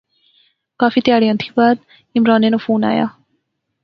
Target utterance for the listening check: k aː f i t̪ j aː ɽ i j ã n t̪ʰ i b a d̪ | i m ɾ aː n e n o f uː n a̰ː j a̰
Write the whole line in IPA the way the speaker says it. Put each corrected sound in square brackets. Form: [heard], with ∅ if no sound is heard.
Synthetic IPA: k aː f i t̪ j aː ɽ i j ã n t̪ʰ i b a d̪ | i m ɾ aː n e n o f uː n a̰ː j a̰

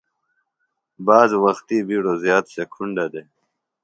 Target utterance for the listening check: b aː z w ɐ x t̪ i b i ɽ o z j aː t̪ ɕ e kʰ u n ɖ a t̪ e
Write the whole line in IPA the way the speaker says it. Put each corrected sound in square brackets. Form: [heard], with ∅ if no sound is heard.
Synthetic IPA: b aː z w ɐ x t̪ i b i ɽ o z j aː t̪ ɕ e kʰ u [ɳ] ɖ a [d̪] e

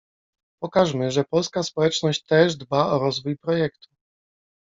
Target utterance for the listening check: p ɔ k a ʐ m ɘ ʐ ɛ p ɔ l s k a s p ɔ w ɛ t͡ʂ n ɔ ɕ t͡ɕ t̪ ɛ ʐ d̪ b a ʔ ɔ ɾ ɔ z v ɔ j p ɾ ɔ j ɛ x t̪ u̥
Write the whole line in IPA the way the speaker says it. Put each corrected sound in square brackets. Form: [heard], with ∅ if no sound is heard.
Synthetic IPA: p ɔ k a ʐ m ɘ ʐ ɛ p ɔ l s k a s p ɔ w ɛ t͡ʂ n ɔ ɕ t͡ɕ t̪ ɛ ʐ d̪ b a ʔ ɔ ɾ ɔ z v [u] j p ɾ ɔ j ɛ [k] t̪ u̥

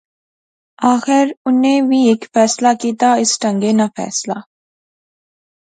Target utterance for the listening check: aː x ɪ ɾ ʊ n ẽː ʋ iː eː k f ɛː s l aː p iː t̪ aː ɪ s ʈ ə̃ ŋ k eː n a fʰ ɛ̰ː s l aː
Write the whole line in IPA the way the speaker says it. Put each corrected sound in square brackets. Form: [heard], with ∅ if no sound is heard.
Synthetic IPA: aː x ɪ ɾ ʊ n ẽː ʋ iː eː k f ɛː s l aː [k] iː t̪ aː ɪ s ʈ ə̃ ŋ [ɡ] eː n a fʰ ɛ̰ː s l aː

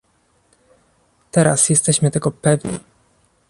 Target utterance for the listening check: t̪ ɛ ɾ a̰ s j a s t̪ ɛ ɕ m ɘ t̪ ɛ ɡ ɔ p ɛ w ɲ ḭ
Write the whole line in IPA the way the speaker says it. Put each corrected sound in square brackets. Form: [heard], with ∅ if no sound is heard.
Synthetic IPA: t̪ ɛ ɾ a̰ s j [ɛ] s t̪ ɛ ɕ m ɘ t̪ ɛ ɡ ɔ p ɛ [v] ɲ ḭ

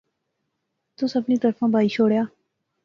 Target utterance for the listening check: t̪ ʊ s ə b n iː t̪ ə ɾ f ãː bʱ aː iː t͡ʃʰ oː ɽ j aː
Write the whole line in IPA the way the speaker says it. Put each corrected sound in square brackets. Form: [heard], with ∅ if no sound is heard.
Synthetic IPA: t̪ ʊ s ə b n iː t̪ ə ɾ f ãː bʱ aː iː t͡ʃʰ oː ɽ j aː

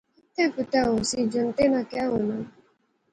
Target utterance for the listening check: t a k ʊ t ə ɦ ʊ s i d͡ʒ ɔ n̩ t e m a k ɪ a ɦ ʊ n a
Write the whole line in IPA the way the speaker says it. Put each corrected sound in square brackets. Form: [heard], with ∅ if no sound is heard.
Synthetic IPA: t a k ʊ t [a] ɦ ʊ s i d͡ʒ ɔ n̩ t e [n] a k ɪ a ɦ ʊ n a

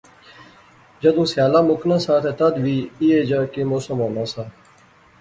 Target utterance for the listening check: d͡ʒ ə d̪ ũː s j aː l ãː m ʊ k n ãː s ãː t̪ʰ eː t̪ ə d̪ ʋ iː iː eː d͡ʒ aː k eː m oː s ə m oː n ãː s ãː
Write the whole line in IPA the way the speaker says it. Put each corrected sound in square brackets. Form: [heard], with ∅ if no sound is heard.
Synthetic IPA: d͡ʒ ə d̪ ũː s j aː l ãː m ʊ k n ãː s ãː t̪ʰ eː t̪ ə d̪ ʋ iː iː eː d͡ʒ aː k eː m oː s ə m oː n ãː s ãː

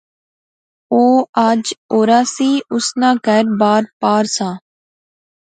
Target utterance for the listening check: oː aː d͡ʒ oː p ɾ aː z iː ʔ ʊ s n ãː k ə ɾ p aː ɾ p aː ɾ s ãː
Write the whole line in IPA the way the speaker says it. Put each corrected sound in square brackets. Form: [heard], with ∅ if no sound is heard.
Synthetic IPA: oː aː d͡ʒ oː [∅] ɾ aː [s] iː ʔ ʊ s n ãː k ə ɾ [b] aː ɾ p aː ɾ s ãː

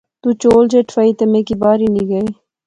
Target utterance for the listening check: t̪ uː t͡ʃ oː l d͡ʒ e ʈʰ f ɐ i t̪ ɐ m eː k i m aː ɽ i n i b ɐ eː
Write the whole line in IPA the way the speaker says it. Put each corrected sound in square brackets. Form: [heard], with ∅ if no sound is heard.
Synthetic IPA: t̪ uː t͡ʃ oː l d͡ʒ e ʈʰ f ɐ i t̪ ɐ m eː k i [b] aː [ɾ] i n i [ɡ] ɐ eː

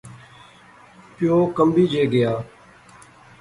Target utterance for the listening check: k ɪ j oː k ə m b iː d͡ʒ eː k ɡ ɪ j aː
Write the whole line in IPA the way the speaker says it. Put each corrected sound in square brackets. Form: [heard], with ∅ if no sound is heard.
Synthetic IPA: [p] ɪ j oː k ə m b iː d͡ʒ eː [∅] ɡ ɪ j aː

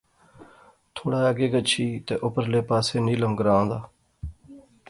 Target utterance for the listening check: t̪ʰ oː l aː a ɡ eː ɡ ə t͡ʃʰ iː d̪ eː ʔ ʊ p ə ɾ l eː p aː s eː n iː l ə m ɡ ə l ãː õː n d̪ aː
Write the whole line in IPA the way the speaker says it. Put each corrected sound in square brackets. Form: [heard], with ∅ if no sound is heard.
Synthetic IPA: t̪ʰ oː [ɽ] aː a ɡ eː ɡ ə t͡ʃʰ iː [t̪] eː ʔ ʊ p ə ɾ l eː p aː s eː n iː l ə m ɡ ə [ɾ] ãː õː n d̪ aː

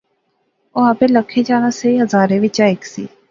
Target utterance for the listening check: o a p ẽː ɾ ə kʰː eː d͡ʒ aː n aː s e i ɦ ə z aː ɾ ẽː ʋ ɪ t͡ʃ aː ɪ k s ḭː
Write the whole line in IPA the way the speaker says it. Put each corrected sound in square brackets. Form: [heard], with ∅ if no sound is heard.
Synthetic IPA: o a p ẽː [l] ə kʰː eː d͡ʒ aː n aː s e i ɦ ə z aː ɾ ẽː ʋ ɪ t͡ʃ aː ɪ k s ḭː

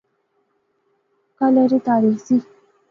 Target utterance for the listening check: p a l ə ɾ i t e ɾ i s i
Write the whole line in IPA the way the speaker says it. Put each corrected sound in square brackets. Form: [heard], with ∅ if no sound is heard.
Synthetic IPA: [k] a l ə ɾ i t [a] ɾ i s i

